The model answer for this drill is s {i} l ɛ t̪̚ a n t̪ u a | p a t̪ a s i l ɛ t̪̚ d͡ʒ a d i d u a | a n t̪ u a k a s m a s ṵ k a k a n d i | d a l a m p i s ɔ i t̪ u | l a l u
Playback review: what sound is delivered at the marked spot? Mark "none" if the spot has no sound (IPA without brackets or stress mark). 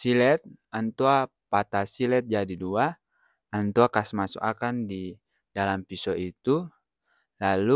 i